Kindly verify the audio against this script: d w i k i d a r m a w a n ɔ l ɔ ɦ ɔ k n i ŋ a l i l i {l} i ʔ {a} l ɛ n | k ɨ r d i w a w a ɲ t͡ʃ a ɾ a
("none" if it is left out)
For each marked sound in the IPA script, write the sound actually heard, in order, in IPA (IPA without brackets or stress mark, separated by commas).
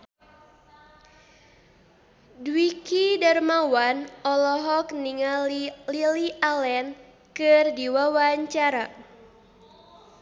l, a